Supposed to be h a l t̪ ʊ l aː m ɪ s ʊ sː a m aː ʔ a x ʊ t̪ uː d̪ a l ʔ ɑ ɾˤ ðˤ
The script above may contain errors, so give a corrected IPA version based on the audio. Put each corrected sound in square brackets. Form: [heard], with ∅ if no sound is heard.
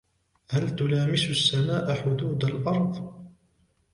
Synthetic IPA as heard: h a l t̪ ʊ l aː m ɪ s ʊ sː a m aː ʔ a [ħ] ʊ [d̪] uː d̪ a l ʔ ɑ ɾˤ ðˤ